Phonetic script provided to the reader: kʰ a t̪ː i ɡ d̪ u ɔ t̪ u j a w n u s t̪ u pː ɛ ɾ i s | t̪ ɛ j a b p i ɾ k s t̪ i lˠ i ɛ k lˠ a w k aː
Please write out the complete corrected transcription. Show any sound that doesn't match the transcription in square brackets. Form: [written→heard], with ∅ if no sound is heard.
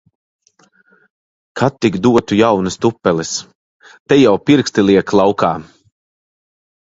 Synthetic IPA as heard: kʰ a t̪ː i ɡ d̪ u ɔ t̪ u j a w n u s t̪ u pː ɛ [ɾ→l] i s | t̪ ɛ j a [b→w] p i ɾ k s t̪ i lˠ i ɛ k lˠ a w k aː

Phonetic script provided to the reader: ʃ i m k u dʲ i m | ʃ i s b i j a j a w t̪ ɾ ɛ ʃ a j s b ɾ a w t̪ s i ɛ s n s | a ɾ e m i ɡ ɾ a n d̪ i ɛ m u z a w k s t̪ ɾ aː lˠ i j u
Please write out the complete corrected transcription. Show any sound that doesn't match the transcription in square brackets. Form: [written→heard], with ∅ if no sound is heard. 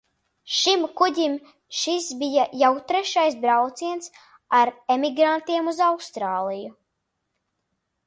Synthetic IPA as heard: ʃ i m k u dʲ i m | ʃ i s b i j a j a w t̪ ɾ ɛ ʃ a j s b ɾ a w t̪ s i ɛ [s→∅] n s | a ɾ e m i ɡ ɾ a n [d̪→t̪] i ɛ m u z a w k s t̪ ɾ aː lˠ i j u

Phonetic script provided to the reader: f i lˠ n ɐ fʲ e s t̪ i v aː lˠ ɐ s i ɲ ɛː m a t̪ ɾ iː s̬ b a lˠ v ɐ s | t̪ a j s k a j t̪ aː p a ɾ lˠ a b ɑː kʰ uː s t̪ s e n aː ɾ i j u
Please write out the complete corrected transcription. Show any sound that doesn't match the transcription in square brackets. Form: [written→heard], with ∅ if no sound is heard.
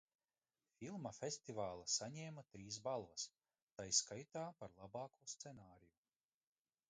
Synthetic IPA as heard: f i lˠ [n→m] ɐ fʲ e s t̪ i v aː lˠ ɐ s [i→a] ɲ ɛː m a t̪ ɾ iː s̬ b a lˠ v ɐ s | t̪ a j s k a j t̪ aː p a ɾ lˠ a b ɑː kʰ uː s t̪ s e n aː ɾ i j u

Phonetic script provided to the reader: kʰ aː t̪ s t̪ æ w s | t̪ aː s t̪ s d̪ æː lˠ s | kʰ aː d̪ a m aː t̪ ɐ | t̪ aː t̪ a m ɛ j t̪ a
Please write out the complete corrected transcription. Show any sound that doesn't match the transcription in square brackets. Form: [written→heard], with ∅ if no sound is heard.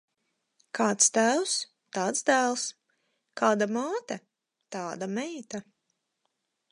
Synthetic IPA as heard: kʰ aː t̪ s t̪ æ w s | t̪ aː [s→∅] t̪ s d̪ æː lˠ s | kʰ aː d̪ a m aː t̪ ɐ | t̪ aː [t̪→d̪] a m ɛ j t̪ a

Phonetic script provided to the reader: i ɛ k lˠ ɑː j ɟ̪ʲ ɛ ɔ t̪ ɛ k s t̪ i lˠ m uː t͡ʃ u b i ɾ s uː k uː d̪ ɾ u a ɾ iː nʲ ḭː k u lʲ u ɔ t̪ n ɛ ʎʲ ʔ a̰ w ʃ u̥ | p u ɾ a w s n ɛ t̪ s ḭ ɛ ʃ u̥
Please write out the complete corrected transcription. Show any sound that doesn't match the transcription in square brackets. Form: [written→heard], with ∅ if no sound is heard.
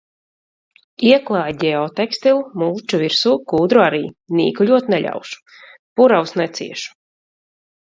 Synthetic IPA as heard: i ɛ k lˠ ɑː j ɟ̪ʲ ɛ ɔ t̪ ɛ k s t̪ i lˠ m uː t͡ʃ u [b→v] i ɾ s uː k uː d̪ ɾ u a ɾ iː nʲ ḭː k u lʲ u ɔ t̪ n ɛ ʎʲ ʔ a̰ w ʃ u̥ | p u ɾ a w s n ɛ t̪ s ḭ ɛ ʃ u̥

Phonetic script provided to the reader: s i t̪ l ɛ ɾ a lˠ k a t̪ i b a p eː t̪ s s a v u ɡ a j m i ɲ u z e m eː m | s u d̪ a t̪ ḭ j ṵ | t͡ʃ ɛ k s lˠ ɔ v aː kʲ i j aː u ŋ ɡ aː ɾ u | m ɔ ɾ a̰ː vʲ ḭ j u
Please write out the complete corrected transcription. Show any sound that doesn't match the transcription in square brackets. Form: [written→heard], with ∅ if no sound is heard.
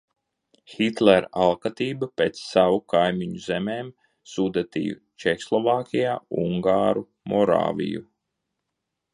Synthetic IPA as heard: [s→x] i t̪ l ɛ ɾ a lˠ k a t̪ [i→iː] b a p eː t̪ s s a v u [ɡ→k] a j m i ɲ u z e m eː m | s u d̪ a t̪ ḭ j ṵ | t͡ʃ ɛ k s lˠ ɔ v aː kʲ i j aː u ŋ ɡ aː ɾ u | m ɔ ɾ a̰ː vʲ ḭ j u

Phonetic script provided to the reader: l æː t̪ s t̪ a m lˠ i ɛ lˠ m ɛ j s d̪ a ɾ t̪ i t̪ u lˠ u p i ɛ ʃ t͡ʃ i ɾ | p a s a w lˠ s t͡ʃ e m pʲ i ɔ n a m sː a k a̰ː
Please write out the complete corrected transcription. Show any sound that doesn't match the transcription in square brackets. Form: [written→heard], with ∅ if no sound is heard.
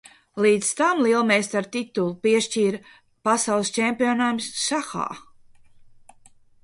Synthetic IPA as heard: l [æː→iː] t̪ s t̪ a m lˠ i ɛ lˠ m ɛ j s [d̪→t̪] a ɾ t̪ i t̪ u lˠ u p i ɛ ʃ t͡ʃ [i→iː] ɾ | p a s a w lˠ s t͡ʃ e m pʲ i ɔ n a m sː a [k→x] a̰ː

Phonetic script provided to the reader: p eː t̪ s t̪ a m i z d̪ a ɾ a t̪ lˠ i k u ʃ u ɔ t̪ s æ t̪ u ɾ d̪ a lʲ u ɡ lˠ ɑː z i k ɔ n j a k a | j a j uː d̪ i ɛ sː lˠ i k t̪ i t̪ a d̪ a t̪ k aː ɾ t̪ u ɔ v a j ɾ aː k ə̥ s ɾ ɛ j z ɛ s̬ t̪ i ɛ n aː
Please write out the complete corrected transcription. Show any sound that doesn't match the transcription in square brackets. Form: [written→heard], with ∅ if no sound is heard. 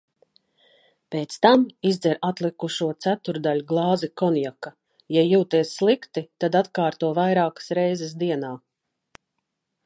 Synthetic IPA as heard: p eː t̪ s t̪ a m i z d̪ [a→ɛ] ɾ a t̪ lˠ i k u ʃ u ɔ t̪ s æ t̪ u ɾ d̪ a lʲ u ɡ lˠ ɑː z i k ɔ n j a k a | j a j uː [d̪→t̪] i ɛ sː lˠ i k t̪ i t̪ a d̪ a t̪ k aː ɾ t̪ u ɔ v a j ɾ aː k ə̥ s ɾ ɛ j z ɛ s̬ [t̪→d̪] i ɛ n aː

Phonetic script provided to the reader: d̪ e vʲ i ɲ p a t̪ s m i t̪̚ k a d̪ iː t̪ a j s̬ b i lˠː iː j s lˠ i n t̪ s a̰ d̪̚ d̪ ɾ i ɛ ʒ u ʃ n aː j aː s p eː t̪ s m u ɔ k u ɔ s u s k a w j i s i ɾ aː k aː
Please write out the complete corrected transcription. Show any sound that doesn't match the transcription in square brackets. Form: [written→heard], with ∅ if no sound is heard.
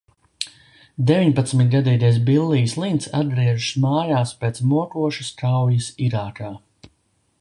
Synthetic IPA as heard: d̪ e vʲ i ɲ p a t̪ s m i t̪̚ [k→ɡ] a d̪ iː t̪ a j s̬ b i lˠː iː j s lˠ i n t̪ s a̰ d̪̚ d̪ ɾ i ɛ ʒ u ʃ [n→m] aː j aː s p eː t̪ s m u ɔ k u ɔ [s→ʃ] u s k a w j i s i ɾ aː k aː

